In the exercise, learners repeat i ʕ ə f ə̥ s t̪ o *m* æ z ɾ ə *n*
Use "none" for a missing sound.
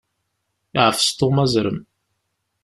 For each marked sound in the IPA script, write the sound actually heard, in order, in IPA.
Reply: m, m

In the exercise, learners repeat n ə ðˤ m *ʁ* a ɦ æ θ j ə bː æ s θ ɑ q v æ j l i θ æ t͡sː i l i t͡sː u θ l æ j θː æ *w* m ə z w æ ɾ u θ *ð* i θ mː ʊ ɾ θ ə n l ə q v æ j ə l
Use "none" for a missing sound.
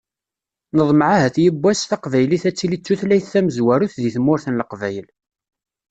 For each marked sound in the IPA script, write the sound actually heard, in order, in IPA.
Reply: ʕ, none, ð

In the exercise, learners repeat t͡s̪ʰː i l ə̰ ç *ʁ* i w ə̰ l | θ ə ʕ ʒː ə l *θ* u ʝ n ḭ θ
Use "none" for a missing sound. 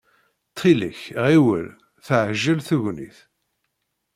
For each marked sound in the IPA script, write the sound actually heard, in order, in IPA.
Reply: ʁ, θ

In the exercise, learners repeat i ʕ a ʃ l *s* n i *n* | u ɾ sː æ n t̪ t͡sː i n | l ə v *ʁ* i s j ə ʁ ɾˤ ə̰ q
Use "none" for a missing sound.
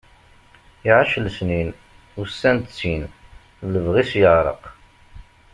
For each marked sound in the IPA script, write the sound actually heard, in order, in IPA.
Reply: s, n, ʁ

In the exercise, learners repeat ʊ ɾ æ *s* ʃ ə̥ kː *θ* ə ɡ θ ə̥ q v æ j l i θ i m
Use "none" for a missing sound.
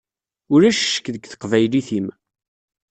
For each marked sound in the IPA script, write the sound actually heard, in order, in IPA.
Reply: ʃ, ð

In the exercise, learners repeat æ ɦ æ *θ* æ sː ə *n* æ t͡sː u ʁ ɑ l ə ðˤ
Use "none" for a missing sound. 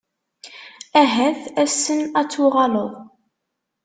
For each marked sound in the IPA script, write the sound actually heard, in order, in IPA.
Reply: θ, n

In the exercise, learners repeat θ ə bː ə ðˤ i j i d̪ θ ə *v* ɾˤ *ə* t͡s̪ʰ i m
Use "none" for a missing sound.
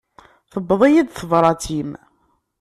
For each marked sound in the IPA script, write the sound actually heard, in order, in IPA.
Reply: v, ɑ

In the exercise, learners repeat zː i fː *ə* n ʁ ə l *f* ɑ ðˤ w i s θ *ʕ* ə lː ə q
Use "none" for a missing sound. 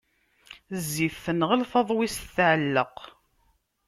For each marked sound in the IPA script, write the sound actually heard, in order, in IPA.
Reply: ə, f, ʕ

